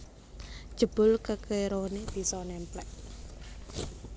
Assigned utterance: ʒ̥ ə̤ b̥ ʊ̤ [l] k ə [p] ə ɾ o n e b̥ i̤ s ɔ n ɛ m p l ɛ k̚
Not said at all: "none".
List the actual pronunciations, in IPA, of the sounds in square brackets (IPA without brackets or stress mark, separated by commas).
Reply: l, k